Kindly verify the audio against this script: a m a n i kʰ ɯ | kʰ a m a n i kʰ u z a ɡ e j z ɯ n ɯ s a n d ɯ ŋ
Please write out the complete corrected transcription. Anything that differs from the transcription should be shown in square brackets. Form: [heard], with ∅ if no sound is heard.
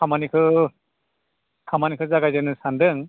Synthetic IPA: a m a n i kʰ ɯ | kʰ a m a n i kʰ [ɯ] z a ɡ [a] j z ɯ n ɯ s a n d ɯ ŋ